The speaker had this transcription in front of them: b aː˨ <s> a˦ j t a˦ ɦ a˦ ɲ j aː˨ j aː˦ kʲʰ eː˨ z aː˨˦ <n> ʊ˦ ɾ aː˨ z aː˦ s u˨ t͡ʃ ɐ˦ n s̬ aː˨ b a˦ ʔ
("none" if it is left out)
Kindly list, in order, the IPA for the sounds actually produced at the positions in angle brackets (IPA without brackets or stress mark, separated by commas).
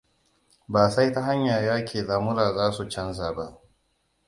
s, m